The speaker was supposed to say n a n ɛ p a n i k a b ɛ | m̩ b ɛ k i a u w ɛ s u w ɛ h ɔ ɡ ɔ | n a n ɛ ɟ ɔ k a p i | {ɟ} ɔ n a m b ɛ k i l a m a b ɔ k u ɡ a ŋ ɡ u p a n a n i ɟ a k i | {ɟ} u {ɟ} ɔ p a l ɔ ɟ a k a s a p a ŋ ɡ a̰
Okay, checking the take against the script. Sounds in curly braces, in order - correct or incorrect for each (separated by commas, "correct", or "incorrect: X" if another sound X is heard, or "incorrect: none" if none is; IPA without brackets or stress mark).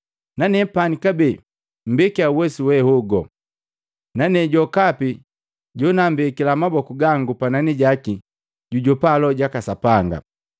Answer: correct, correct, correct